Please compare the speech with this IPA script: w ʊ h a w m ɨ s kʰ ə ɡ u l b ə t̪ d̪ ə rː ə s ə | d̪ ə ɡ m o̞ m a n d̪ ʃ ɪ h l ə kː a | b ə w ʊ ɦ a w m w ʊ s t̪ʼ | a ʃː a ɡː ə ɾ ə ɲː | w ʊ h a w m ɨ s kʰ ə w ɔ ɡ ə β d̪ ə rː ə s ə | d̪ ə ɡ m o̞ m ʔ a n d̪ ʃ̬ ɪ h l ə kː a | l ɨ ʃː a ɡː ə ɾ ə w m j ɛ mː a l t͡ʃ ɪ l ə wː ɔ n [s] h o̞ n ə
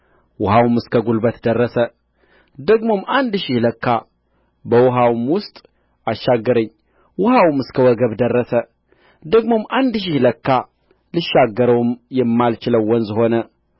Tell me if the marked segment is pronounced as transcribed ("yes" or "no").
no